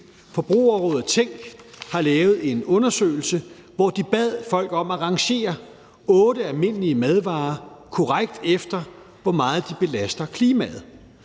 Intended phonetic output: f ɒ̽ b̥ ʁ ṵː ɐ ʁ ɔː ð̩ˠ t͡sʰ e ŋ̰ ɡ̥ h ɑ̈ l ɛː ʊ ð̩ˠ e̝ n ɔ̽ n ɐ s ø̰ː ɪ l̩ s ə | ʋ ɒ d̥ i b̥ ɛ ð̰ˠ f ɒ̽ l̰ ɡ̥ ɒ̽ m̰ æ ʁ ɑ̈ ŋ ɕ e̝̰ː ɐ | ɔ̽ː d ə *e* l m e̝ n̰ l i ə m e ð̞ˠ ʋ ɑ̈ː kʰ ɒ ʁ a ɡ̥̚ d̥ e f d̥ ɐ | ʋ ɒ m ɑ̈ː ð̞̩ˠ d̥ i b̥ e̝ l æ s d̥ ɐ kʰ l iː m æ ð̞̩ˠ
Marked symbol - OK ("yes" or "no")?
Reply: no